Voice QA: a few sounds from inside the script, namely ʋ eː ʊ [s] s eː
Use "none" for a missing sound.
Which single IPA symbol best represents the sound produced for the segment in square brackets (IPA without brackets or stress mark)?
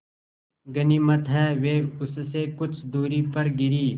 s